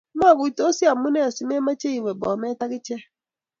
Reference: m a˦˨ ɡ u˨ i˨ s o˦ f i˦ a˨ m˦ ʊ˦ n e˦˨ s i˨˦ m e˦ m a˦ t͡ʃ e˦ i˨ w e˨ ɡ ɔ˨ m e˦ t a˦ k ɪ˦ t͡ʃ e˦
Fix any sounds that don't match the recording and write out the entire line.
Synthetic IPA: m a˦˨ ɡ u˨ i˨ t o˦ s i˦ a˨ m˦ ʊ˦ n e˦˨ s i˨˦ m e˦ m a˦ t͡ʃ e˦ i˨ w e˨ b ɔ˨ m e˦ t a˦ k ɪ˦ t͡ʃ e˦